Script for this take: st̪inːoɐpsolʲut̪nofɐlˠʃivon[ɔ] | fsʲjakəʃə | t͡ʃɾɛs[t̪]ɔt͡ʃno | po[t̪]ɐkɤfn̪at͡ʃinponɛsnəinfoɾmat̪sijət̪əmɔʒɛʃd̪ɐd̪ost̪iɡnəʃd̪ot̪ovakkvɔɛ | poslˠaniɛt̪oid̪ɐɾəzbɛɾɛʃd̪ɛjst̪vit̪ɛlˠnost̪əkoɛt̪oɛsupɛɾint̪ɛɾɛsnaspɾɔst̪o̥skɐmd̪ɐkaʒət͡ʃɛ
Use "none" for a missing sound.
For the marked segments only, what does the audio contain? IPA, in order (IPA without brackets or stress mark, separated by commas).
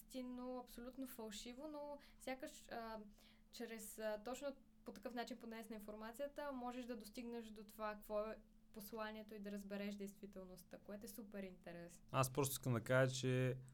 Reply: o, t̪, t̪